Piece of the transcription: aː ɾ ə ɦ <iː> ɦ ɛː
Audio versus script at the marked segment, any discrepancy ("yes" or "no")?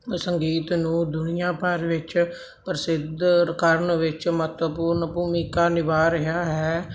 yes